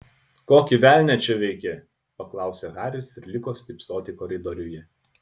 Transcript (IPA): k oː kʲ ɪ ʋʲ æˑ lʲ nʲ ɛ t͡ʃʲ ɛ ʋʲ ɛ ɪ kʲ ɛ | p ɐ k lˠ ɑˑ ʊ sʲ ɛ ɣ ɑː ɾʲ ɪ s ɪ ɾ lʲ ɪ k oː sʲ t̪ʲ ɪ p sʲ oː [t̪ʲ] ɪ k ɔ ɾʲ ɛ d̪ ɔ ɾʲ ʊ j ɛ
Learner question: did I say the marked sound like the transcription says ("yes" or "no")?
yes